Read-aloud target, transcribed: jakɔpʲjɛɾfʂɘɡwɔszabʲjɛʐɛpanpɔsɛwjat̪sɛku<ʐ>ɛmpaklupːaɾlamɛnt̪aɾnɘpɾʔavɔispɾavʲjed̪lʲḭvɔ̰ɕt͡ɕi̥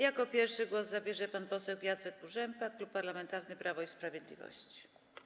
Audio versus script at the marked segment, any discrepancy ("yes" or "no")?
no